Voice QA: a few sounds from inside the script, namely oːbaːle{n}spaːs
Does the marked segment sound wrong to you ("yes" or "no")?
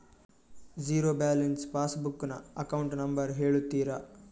no